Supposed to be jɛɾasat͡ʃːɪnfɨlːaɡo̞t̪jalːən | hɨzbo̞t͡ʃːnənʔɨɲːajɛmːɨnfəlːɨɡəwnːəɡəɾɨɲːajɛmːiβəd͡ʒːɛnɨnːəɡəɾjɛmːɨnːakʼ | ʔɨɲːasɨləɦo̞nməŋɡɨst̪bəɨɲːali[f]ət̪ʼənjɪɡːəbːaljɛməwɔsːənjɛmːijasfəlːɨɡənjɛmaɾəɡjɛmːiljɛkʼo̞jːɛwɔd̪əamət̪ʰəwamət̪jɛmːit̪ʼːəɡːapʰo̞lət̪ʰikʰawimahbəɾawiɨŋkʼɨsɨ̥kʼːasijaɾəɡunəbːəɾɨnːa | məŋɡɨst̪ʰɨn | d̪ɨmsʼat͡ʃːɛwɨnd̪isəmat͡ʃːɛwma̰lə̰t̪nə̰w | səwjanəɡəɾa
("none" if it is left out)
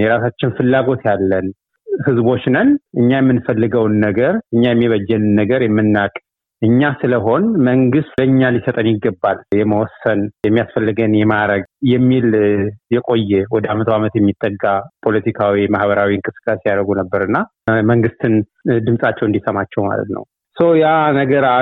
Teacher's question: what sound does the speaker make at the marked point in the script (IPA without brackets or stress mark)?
s